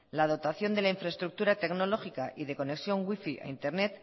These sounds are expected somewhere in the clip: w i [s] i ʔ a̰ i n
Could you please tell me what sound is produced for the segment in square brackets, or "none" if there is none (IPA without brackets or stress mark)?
f